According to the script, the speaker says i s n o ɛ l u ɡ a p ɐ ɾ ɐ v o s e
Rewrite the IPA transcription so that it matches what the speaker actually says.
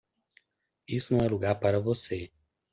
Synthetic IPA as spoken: i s n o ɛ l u ɡ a p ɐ ɾ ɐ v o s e